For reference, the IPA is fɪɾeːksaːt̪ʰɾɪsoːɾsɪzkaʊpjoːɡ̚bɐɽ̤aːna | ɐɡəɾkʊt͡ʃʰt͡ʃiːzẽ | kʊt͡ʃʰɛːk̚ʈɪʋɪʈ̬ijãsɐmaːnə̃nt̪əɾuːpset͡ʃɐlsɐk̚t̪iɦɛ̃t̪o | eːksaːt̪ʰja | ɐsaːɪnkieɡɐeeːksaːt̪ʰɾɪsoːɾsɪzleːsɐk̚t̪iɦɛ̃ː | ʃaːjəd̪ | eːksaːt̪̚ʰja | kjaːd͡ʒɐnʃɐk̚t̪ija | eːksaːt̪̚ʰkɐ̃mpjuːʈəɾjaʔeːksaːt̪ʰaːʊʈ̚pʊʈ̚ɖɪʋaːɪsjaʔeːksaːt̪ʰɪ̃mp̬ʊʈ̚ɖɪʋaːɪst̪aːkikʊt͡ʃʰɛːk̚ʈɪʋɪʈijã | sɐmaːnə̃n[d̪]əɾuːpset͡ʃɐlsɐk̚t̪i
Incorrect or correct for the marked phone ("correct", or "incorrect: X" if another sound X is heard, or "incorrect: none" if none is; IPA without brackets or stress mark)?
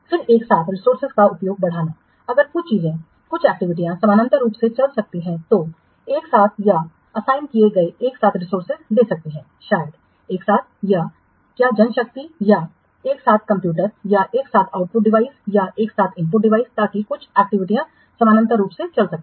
incorrect: t̪